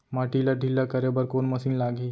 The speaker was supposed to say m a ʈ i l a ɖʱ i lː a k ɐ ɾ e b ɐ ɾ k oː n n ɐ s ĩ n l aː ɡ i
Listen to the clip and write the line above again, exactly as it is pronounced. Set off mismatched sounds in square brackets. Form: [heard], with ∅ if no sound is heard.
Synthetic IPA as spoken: m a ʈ i l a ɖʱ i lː a k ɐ ɾ e b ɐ ɾ k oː n [m] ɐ s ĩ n l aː ɡ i